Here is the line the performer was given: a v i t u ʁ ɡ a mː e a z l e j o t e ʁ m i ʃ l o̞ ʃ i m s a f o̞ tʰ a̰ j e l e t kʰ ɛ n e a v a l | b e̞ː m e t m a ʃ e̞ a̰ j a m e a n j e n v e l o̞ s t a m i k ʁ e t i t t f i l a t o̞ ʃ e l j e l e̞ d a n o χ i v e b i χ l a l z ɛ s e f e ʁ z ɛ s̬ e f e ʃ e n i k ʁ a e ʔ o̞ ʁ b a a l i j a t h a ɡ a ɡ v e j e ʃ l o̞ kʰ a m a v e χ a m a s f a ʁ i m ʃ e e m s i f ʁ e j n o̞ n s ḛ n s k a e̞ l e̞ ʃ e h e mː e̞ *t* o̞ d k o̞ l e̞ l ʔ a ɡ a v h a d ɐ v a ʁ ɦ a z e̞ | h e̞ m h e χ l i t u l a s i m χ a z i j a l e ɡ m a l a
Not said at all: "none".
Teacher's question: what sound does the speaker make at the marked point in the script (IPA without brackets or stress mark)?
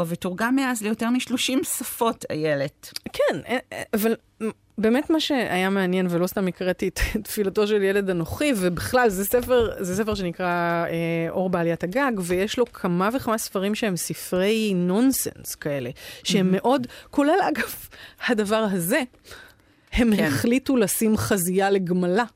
ʔ